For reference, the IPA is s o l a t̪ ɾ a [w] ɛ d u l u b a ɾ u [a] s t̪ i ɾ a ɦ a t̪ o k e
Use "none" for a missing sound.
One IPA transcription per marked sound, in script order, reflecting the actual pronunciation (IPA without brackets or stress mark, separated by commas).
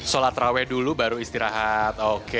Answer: w, i